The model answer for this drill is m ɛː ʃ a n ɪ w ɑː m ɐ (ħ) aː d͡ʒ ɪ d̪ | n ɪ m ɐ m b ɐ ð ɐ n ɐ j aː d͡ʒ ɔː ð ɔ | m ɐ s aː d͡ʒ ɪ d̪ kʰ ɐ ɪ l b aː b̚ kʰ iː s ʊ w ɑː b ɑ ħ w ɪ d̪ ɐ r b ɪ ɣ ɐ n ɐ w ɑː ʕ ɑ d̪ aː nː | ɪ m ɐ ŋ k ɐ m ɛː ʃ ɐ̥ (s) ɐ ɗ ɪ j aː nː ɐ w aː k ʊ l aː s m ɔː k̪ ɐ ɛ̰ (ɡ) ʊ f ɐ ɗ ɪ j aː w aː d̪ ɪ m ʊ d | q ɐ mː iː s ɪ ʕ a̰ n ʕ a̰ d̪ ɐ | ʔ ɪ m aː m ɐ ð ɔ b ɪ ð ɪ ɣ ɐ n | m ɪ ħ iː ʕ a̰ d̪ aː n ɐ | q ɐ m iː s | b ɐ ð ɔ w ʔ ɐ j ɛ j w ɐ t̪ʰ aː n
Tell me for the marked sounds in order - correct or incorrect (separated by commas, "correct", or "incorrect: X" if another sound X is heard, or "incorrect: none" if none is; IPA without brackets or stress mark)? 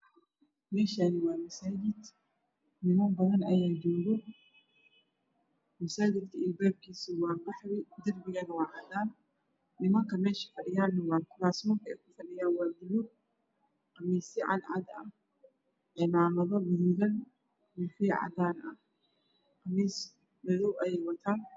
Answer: incorrect: s, incorrect: f, incorrect: k